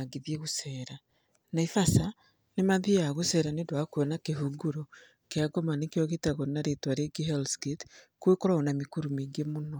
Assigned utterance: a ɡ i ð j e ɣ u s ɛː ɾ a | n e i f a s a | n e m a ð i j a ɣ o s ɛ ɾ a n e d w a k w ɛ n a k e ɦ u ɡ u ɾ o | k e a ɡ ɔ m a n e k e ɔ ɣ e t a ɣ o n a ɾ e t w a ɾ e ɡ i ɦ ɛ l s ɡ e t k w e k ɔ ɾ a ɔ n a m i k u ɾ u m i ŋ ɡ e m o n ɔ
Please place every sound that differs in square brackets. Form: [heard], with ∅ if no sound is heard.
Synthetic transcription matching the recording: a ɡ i ð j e ɣ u s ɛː ɾ a | n [a] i f a s a | n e m a ð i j a ɣ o s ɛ ɾ a n e d w a k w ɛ n a k e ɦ u ɡ u ɾ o | k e a ɡ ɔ m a n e k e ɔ ɣ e t a ɣ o n a ɾ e t w a ɾ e ɡ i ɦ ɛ l s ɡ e t k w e k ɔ ɾ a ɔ n a m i k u ɾ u m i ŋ ɡ e m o n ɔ